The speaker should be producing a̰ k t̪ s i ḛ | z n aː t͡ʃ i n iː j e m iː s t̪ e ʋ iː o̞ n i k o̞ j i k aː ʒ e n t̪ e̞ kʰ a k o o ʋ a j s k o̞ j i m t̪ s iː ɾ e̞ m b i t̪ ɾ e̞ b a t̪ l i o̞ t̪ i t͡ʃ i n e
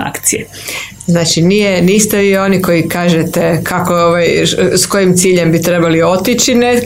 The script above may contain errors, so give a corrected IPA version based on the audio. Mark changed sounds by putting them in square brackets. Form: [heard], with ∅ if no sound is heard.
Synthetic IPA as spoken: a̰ k t̪ s i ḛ | z n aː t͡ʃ i n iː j e [n] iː s t̪ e ʋ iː o̞ n i k o̞ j i k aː ʒ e [∅] t̪ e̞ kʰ a k o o ʋ a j s k o̞ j i m t̪ s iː [ʎ] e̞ m b i t̪ ɾ e̞ b a [∅] l i o̞ t̪ i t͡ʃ i n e